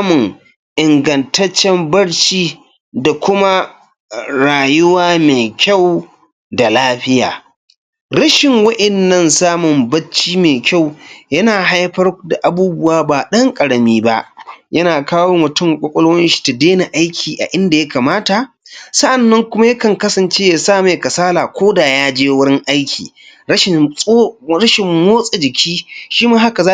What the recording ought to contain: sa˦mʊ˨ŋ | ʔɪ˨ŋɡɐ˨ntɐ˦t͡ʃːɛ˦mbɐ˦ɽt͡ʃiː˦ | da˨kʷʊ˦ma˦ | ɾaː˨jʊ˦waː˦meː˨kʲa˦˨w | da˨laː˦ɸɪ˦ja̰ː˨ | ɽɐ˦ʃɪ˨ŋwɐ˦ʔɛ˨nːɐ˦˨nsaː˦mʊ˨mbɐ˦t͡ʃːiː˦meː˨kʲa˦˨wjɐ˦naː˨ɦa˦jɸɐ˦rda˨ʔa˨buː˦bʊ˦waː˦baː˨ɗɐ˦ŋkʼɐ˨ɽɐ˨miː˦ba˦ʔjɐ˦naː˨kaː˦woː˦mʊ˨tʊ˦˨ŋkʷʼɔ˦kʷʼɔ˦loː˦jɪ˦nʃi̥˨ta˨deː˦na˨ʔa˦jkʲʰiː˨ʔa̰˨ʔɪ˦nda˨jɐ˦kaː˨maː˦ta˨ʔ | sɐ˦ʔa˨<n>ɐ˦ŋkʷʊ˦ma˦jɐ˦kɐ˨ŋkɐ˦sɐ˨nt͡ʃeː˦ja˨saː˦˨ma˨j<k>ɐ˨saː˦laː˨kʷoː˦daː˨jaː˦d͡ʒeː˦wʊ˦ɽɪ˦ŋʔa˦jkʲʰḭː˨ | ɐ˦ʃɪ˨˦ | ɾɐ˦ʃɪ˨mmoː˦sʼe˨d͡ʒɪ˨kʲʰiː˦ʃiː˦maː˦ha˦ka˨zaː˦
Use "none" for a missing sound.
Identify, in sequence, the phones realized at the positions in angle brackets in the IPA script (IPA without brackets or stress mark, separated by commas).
nː, k